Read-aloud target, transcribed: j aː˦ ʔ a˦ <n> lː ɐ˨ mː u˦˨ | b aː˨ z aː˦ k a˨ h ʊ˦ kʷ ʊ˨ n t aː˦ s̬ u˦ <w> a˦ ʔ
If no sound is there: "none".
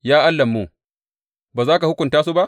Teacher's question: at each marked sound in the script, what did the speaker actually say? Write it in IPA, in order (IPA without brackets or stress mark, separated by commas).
none, b